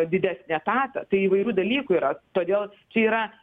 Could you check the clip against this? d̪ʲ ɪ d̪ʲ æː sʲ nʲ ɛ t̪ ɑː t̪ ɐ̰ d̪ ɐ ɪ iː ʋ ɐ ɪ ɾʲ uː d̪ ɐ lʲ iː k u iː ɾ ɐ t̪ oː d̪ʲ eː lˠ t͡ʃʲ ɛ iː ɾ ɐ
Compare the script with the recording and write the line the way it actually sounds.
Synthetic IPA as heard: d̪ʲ ɪ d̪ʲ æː sʲ nʲ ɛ t̪ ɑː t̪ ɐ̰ t̪ ɐ ɪ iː ʋ ɐ ɪ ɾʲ uː d̪ ɐ lʲ iː k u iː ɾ ɐ t̪ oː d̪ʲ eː lˠ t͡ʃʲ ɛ iː ɾ ɐ